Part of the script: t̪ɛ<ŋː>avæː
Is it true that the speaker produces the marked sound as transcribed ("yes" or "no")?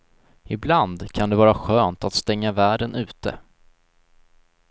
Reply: yes